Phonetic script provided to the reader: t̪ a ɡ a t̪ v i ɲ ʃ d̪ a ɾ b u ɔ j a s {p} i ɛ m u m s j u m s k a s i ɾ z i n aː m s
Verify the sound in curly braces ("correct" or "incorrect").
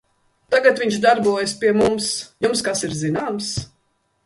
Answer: correct